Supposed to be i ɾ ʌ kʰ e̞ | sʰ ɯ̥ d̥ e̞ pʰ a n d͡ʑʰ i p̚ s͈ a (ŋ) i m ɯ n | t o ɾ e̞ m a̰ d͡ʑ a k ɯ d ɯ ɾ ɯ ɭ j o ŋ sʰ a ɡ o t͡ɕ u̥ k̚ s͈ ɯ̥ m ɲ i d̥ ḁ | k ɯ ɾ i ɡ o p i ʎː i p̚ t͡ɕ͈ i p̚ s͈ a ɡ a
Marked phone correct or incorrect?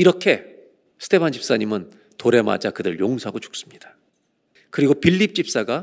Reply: incorrect